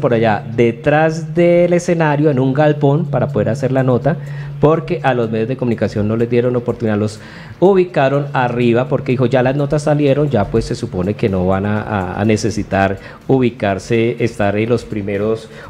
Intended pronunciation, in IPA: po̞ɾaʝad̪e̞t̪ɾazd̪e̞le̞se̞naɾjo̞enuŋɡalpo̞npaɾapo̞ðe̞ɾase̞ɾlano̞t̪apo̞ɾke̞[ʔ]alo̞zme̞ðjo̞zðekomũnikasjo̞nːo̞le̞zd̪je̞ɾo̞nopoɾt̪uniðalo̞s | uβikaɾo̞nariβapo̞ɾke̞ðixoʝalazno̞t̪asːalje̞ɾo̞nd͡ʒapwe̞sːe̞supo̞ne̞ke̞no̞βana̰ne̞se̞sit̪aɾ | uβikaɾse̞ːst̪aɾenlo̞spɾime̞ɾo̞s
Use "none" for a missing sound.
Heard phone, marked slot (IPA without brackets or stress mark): ʔ